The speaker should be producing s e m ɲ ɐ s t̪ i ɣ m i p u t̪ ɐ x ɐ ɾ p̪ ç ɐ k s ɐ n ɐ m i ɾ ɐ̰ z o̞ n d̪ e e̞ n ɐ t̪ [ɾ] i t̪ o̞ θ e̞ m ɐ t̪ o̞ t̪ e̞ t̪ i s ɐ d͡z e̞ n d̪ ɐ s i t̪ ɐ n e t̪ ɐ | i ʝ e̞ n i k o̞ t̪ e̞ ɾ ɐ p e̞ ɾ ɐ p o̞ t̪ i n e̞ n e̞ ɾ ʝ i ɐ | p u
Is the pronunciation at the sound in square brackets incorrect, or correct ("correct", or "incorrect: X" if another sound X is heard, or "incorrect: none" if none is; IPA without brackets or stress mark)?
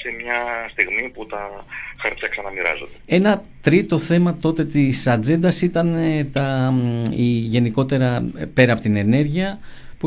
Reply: correct